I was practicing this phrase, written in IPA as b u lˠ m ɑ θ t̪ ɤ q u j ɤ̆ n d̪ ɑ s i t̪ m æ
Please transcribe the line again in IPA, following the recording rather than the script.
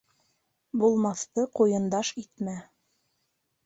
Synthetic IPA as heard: b u lˠ m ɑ θ t̪ ɤ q u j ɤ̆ n d̪ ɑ ʃ i t̪ m æ